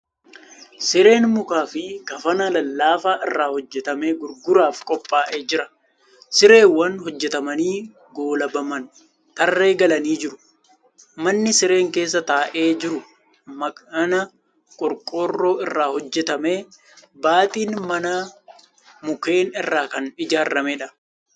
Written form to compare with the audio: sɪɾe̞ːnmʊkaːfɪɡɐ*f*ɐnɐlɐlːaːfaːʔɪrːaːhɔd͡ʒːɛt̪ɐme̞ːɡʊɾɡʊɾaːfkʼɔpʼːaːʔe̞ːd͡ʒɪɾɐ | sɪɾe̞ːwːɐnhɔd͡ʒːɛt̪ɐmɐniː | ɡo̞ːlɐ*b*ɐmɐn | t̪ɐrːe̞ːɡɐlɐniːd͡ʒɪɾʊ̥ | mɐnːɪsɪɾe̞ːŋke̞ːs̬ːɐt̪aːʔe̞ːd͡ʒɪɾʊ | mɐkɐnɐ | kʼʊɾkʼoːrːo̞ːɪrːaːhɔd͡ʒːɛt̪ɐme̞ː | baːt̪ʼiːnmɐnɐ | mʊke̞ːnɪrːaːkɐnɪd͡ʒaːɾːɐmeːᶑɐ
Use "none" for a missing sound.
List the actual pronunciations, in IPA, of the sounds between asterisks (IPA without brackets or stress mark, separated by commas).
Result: f, b